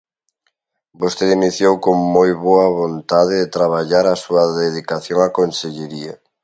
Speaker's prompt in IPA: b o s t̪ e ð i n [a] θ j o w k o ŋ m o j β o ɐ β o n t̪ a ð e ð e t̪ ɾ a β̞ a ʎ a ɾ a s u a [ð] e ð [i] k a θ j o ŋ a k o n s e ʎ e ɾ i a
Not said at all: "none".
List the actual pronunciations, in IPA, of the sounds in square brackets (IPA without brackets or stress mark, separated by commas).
i, ð, i